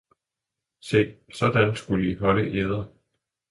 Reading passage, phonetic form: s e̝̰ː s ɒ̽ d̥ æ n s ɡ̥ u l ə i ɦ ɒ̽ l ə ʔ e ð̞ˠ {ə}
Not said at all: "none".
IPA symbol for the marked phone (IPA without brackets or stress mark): ɐ